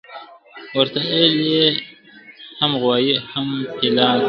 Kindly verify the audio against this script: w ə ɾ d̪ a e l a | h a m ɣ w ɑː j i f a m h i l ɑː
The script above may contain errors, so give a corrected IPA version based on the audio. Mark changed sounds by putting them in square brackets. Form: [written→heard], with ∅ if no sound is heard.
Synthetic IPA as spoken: w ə ɾ [d̪→t̪] a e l [a→e] | h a m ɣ w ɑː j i [f→h] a m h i l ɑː